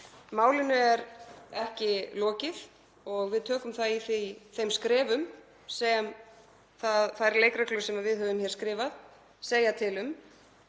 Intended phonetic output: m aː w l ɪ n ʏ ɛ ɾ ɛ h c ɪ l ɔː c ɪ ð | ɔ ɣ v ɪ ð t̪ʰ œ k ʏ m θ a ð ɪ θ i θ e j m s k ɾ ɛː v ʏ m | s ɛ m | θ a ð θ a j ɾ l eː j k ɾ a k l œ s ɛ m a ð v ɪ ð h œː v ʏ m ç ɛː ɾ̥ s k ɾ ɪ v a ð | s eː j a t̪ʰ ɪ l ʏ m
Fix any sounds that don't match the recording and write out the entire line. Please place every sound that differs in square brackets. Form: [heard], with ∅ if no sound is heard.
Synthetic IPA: m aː w l ɪ n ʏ ɛ ɾ ɛ h c ɪ l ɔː c ɪ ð | ɔ ɣ v ɪ ð t̪ʰ [œː] k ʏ m θ a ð [i] θ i θ e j m s k ɾ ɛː v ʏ m | s ɛ m | θ a ð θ a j ɾ l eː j k ɾ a k l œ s ɛ m a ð v ɪ ð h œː v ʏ m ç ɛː ɾ̥ s k ɾ [ɪː] v a ð | s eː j a t̪ʰ ɪ l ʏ m